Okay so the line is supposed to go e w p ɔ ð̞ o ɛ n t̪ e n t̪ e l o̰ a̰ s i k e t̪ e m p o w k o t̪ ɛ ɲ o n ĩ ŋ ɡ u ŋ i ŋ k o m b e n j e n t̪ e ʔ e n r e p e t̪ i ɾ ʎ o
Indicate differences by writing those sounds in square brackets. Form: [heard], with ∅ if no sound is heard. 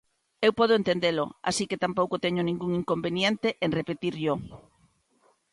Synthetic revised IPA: e w p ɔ ð̞ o [e] n t̪ e n [d̪] e l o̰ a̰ s i k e t̪ [a] m p o w k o t̪ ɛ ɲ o n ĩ ŋ ɡ u ŋ i ŋ k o m b e n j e n t̪ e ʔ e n r e p e t̪ i ɾ ʎ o